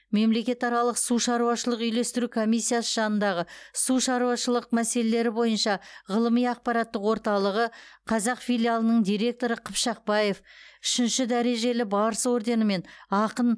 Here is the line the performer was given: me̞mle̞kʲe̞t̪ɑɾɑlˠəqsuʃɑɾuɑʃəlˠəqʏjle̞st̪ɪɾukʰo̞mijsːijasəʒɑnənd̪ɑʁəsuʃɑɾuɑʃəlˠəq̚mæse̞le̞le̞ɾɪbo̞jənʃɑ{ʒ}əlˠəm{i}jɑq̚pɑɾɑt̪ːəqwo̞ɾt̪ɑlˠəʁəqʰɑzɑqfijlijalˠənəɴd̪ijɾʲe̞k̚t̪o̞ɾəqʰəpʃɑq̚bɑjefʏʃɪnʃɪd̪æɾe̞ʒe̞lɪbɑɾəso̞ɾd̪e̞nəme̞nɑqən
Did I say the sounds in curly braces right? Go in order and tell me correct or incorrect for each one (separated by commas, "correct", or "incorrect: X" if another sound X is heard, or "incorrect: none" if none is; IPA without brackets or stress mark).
incorrect: ʁ, correct